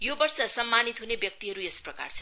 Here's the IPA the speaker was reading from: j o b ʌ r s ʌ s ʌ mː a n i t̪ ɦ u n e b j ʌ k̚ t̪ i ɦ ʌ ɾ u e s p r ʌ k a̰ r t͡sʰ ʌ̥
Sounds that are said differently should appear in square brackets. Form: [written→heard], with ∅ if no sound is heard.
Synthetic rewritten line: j o b ʌ r s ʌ s ʌ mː a n i t̪ ɦ u n e b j ʌ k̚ t̪ i ɦ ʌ ɾ u e s p r ʌ k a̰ r t͡sʰ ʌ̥